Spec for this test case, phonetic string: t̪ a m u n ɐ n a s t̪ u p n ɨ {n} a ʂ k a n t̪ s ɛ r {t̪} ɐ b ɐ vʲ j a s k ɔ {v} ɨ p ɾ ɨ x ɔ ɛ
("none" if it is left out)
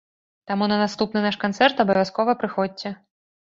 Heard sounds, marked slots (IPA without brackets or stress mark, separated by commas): n, t̪, v